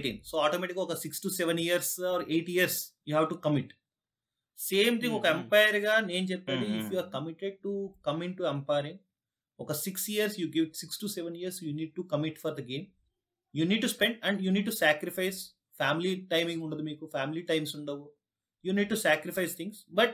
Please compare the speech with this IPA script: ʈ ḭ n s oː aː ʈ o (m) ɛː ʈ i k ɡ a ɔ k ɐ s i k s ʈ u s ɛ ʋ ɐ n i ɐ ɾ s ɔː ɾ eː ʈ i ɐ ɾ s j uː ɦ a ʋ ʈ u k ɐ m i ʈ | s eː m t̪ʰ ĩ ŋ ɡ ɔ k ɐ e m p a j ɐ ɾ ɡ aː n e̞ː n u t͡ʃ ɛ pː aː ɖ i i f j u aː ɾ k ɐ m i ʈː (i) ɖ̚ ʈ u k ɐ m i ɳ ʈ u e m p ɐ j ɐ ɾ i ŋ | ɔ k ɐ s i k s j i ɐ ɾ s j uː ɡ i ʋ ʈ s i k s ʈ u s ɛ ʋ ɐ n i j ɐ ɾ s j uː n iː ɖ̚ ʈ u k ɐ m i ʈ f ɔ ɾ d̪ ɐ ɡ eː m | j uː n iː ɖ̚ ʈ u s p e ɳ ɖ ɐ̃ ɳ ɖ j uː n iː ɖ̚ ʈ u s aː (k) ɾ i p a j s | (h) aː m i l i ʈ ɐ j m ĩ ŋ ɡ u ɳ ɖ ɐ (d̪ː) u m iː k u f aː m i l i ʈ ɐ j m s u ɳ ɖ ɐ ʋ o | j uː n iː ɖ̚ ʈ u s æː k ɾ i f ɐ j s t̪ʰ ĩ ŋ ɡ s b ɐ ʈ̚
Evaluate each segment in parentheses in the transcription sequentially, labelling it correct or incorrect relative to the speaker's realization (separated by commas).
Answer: correct, incorrect, correct, incorrect, incorrect